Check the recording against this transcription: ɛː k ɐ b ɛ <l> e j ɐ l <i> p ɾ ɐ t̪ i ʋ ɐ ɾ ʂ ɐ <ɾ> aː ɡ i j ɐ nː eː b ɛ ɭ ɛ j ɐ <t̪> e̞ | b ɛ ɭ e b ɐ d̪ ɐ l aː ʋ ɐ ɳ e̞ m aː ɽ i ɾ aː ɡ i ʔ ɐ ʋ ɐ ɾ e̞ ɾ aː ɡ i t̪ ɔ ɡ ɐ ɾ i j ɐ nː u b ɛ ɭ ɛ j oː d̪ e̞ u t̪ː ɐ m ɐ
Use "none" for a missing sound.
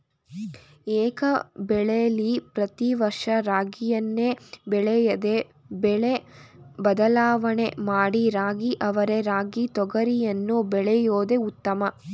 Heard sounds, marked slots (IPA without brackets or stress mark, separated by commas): ɭ, i, ɾ, d̪